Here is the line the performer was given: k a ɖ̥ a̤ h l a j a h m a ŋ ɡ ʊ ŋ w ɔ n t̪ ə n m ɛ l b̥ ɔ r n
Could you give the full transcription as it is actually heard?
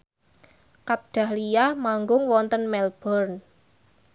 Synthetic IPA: k a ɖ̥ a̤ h l i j a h m a ŋ ɡ ʊ ŋ w ɔ n t̪ ə n m ɛ l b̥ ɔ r n